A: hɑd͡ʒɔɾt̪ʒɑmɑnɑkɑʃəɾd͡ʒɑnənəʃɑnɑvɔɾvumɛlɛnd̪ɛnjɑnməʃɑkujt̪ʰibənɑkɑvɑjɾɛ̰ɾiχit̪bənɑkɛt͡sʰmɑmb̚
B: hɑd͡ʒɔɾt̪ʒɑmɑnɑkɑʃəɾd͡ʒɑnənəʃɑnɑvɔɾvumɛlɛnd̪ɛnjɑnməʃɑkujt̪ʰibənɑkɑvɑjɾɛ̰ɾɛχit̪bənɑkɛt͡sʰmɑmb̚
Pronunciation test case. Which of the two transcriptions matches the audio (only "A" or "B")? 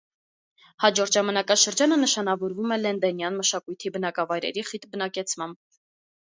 A